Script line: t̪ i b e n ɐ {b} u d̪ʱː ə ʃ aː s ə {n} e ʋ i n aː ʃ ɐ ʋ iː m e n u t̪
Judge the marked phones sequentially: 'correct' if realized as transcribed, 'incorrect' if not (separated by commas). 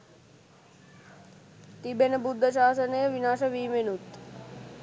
correct, correct